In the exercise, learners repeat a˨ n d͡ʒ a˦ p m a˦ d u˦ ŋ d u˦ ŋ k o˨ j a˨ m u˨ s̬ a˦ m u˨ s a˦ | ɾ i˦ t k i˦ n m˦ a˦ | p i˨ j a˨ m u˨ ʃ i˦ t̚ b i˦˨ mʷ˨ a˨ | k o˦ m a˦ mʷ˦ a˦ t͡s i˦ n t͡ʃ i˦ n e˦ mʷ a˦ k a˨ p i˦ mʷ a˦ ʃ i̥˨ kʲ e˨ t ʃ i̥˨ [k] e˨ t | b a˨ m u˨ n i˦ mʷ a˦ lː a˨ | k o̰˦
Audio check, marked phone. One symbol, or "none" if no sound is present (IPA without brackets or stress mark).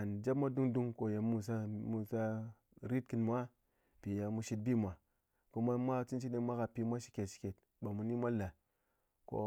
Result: k